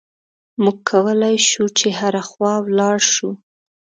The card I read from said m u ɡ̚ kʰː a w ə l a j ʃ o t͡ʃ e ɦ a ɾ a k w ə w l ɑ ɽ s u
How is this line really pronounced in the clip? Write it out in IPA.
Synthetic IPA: m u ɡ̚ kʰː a w ə l a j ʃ u t͡ʃ e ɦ a ɾ a x w ɑ w l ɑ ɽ ʃ u